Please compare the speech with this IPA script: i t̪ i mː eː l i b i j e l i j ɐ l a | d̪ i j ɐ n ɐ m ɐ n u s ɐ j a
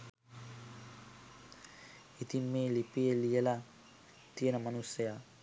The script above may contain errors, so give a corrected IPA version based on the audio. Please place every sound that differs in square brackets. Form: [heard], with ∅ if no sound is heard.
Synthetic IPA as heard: i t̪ i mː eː l i [p] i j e l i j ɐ l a | [t̪] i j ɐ n ɐ m ɐ n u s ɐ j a

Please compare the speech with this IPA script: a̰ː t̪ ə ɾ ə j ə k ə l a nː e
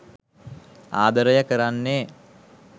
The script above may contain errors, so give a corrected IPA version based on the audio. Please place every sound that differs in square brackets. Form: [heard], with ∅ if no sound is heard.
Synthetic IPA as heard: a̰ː [d̪] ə ɾ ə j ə k ə [ɾ] a nː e

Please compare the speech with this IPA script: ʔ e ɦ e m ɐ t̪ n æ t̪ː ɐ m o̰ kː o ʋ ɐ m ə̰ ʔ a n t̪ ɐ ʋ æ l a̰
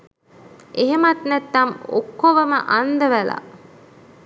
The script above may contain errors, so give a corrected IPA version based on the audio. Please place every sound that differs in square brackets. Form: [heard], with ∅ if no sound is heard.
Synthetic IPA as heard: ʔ e ɦ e m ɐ t̪ n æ t̪ː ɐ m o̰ kː o ʋ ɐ m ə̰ ʔ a n [d̪] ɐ ʋ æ l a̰

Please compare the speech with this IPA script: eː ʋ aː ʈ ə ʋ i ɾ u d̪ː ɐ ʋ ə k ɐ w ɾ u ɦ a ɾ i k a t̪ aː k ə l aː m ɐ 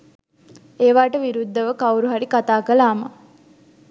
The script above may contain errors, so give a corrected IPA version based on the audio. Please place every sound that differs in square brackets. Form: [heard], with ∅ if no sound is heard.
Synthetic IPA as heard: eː ʋ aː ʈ ə ʋ i ɾ u d̪ː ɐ ʋ ə k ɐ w ɾ u ɦ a ɾ i k a t̪ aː k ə l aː m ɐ

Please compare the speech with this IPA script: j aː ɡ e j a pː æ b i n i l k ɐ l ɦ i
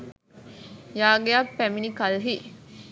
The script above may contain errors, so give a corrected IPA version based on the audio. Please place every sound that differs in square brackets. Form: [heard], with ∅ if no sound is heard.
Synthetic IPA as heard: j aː ɡ e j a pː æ [m] i n i [∅] k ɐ l ɦ i

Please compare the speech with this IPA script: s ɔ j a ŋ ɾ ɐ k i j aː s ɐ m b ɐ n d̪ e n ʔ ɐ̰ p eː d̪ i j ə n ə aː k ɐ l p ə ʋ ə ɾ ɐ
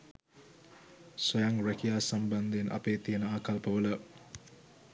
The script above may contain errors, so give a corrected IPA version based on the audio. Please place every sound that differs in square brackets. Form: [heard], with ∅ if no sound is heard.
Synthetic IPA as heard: s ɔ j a ŋ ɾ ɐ k i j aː s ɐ m b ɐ n d̪ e n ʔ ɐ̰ p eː [t̪] i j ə n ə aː k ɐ l p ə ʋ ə [l] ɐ

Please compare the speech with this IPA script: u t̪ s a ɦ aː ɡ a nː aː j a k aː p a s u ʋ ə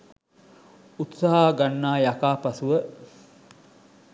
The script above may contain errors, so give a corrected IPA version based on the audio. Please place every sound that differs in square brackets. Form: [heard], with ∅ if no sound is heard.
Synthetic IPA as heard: u t̪ s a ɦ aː ɡ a nː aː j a k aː p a s u ʋ ə

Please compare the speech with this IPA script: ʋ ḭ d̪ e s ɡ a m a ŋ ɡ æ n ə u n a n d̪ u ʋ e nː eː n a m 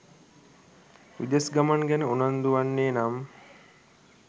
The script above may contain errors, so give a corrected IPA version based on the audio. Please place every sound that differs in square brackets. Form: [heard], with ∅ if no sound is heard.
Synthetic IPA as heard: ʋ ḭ d̪ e s ɡ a m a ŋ ɡ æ n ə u n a n d̪ u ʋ [a] nː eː n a m

